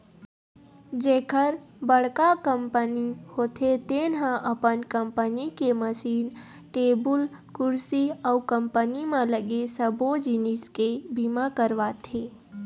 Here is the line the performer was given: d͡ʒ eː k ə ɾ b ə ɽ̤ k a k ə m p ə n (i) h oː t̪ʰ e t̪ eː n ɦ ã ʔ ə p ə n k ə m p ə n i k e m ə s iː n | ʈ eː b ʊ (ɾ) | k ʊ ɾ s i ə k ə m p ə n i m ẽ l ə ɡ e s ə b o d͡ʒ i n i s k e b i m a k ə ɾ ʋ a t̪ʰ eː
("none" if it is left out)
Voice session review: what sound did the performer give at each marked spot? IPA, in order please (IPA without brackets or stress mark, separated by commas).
i, l